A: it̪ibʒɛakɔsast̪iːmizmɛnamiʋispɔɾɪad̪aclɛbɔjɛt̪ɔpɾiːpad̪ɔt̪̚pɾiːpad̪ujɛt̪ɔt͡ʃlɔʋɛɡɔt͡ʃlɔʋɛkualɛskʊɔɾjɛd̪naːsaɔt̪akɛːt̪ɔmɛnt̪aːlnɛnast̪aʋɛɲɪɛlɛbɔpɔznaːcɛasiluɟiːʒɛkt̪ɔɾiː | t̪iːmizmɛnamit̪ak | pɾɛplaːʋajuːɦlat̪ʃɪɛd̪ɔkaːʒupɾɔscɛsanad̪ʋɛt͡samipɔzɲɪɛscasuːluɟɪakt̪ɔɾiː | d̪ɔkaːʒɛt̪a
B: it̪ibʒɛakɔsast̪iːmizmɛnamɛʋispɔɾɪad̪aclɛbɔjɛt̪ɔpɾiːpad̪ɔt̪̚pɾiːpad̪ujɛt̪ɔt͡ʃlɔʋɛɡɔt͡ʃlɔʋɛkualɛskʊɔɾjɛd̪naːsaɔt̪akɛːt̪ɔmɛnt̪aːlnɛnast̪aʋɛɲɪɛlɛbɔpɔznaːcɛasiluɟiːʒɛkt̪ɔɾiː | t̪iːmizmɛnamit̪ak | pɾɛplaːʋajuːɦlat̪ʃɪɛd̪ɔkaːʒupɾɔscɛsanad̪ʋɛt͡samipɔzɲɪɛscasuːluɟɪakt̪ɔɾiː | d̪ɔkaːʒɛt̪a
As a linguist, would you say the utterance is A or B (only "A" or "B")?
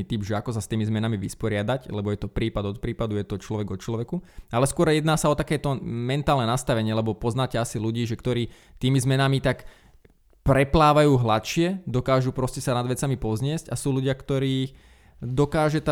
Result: A